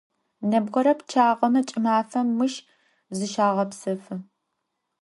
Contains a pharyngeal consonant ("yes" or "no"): no